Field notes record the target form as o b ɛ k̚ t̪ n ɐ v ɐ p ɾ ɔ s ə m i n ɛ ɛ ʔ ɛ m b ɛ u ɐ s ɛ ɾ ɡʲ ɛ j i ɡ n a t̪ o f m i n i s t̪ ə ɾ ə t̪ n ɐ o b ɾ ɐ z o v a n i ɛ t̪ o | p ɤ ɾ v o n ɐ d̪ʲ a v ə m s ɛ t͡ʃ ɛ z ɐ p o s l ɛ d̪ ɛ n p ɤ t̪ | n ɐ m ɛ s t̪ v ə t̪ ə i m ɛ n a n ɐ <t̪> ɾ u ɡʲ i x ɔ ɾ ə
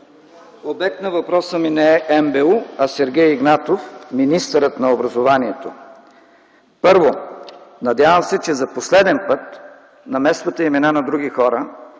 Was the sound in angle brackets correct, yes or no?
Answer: no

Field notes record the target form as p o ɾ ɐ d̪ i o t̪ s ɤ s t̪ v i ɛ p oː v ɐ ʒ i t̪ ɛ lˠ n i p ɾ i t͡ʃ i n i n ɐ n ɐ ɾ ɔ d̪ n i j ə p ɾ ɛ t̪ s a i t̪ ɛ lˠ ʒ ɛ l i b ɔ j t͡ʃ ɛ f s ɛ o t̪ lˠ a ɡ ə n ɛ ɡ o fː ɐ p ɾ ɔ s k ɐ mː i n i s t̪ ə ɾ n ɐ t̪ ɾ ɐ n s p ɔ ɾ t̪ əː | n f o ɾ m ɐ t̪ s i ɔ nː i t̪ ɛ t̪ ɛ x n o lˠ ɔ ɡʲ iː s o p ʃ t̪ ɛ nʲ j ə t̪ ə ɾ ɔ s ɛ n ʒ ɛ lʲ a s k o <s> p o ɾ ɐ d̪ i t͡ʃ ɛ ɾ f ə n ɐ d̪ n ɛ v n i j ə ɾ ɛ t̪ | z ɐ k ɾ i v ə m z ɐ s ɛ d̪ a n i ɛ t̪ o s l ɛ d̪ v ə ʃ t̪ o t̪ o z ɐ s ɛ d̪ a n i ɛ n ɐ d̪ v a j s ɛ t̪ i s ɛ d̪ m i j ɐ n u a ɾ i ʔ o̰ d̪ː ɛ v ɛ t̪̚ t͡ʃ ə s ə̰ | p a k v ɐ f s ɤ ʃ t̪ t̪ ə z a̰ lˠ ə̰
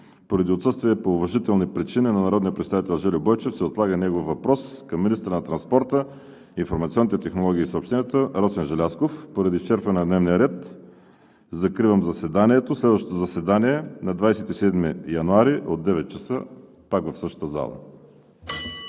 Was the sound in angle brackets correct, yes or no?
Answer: no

